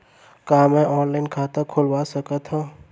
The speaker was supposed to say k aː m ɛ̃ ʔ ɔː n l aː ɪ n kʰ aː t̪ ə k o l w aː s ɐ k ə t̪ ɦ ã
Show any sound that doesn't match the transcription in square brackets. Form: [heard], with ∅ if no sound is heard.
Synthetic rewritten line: k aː m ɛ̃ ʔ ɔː n l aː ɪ n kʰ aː t̪ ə [kʰ] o l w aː s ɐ k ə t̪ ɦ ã

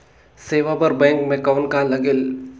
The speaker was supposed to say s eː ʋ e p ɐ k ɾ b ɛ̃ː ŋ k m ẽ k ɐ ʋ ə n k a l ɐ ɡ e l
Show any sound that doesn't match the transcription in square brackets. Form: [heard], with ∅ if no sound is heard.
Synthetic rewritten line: s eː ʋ [a] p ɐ [∅] ɾ b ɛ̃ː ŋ k m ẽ k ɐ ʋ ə n k a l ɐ ɡ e l

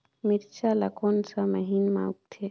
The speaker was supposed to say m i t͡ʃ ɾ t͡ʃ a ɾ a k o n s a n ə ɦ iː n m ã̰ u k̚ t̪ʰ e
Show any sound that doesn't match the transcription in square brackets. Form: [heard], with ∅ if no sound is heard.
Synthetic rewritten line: m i [∅] ɾ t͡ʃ a [l] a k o n s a [m] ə ɦ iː n m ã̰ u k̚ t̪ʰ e

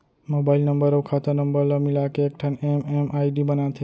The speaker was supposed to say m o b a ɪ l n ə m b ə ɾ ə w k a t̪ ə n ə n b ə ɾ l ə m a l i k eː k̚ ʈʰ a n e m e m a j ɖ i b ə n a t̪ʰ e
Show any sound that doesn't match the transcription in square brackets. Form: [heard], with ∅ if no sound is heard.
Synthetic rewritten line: m o b a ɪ l n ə m b ə ɾ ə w [kʰ] a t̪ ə n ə [m] b ə ɾ l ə m [i] l [a] k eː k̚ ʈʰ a n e m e m a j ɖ i b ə n a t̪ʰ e

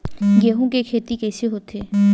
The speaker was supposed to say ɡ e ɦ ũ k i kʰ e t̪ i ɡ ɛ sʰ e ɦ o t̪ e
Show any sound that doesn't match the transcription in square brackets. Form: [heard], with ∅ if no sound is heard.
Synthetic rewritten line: ɡ e ɦ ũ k [e] kʰ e t̪ i [k] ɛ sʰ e ɦ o t̪ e

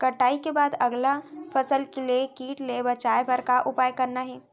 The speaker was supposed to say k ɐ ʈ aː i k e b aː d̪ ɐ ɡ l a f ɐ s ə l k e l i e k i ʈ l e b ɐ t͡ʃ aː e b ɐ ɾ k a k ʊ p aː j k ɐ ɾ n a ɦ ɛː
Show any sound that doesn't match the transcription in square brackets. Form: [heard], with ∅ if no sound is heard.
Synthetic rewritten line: k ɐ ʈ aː i k e b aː d̪ ɐ ɡ l a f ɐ s ə l k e l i e k [iː] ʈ l e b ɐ t͡ʃ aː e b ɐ ɾ k a [ʔ] ʊ p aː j k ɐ ɾ n a ɦ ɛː

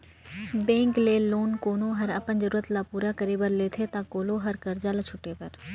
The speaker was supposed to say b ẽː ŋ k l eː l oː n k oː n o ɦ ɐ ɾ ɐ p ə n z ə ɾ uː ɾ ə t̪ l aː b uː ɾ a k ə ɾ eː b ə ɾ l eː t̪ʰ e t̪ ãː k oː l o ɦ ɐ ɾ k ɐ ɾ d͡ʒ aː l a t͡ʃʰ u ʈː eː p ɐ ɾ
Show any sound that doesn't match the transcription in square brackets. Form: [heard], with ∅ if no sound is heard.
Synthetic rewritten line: b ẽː ŋ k l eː l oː n k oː n o ɦ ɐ ɾ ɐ p ə n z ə ɾ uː ɾ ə t̪ l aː [p] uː ɾ a k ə ɾ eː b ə ɾ l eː t̪ʰ e t̪ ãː k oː l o ɦ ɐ ɾ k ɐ ɾ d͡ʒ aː l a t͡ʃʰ [ʊ] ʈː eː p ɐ ɾ

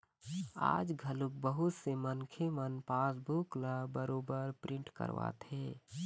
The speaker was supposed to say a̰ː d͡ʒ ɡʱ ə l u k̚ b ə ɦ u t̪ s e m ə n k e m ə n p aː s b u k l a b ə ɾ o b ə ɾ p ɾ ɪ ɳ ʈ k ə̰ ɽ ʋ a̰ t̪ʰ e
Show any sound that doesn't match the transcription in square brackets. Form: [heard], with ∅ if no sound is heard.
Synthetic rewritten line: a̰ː d͡ʒ ɡʱ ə l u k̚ b ə ɦ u t̪ s e m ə n [kʰ] e m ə n p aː s b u k l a b ə ɾ o b ə ɾ p ɾ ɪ ɳ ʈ k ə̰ [ɾ] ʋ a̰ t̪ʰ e

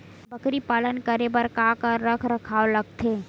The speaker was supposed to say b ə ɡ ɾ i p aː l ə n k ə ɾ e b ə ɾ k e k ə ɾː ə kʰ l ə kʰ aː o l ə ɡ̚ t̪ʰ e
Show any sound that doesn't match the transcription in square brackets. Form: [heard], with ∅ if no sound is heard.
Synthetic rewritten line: b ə [k] ɾ i p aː l ə n k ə ɾ e b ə ɾ k [a] k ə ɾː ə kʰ [ɾ] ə kʰ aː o l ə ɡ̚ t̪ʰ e

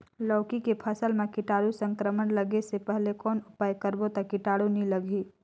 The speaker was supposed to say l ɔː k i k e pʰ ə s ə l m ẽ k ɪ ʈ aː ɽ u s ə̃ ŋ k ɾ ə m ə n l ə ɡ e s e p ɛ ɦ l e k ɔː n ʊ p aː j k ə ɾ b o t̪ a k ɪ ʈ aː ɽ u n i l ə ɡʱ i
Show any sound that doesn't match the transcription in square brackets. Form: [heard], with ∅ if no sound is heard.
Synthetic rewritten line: l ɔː k i k e pʰ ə s ə l m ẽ k ɪ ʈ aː ɽ u s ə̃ ŋ k ɾ ə m ə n l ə ɡ e s e p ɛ ɦ l e k ɔː n ʊ p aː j k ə ɾ b o t̪ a k ɪ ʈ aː ɽ u n i l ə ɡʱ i

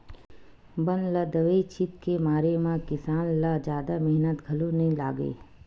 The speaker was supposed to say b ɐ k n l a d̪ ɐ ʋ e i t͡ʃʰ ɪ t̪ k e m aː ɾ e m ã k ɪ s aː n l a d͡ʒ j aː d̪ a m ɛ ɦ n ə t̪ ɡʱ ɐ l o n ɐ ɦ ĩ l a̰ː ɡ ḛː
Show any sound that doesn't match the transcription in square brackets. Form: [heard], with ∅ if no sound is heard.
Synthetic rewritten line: b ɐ [∅] n l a d̪ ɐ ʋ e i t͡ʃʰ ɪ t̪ k e m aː ɾ e m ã k ɪ s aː n l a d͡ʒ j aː d̪ a m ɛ ɦ n ə t̪ ɡʱ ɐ l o n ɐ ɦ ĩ l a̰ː ɡ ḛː

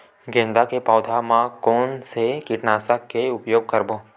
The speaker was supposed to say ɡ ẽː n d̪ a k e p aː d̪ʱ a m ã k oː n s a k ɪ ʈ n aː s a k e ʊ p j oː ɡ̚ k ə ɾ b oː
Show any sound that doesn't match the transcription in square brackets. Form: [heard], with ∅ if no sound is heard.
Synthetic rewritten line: ɡ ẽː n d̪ a k e p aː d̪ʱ a m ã k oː n s [e] k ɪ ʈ n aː s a k e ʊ p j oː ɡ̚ k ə ɾ b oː

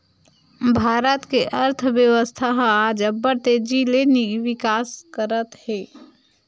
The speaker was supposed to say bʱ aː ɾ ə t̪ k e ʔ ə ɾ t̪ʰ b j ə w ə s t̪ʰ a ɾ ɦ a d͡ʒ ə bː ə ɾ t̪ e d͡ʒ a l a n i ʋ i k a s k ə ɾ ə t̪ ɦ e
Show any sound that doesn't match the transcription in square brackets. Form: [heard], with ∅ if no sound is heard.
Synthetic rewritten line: bʱ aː ɾ ə t̪ k e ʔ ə ɾ t̪ʰ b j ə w ə s t̪ʰ a [∅] ɦ a d͡ʒ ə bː ə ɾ t̪ e d͡ʒ [i] l [e] n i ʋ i k a s k ə ɾ ə t̪ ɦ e

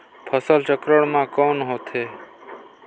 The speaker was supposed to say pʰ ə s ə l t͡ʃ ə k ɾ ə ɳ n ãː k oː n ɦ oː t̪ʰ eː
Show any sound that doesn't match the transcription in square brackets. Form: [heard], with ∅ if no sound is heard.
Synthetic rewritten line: pʰ ə s ə l t͡ʃ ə k ɾ ə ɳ [m] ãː k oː n ɦ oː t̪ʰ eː

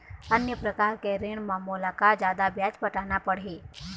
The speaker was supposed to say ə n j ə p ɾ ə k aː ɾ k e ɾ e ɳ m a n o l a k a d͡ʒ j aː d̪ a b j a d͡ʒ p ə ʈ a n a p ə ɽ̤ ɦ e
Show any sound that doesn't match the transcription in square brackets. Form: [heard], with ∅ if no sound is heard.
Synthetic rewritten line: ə n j ə p ɾ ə k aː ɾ k e ɾ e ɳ m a [m] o l a k a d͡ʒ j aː d̪ a b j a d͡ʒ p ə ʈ a n a p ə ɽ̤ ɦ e

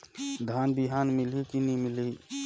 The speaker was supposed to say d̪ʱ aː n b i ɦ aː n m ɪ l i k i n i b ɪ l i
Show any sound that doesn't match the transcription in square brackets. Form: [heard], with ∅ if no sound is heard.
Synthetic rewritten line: d̪ʱ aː n b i ɦ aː n m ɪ l i k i n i [m] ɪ l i

